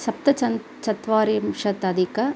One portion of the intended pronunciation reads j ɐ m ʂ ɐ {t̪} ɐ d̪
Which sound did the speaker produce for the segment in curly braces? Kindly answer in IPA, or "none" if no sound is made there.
t̪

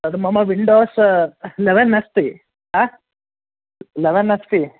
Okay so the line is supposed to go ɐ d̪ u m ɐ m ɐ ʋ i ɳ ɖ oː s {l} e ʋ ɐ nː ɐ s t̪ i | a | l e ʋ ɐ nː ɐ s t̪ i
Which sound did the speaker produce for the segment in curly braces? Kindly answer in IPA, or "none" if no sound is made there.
l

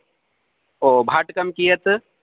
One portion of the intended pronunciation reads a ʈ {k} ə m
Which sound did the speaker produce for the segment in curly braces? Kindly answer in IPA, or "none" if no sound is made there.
k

